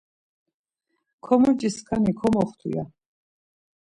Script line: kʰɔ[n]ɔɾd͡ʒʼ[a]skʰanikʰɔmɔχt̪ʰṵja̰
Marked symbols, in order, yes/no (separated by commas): no, no